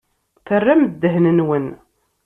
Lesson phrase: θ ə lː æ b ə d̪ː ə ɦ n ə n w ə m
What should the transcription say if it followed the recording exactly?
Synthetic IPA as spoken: θ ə rː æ m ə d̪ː ə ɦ n ə n w ə n